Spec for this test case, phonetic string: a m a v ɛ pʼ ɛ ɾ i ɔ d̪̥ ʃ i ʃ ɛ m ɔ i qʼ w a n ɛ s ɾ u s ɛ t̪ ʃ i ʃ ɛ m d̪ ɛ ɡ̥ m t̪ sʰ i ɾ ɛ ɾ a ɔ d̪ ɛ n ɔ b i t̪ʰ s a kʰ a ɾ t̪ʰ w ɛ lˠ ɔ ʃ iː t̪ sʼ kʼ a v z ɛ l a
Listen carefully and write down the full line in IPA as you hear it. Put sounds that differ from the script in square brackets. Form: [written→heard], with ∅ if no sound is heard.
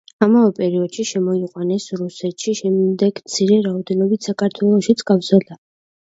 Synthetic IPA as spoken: a m a v ɛ pʼ ɛ ɾ i ɔ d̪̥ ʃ i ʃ ɛ m ɔ i qʼ w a n ɛ s ɾ u s ɛ t̪ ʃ i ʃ ɛ m d̪ ɛ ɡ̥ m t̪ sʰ i ɾ ɛ ɾ a ɔ d̪ ɛ n ɔ b i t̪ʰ s a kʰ a ɾ t̪ʰ w ɛ lˠ ɔ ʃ [iː→i] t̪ sʼ kʼ a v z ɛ l a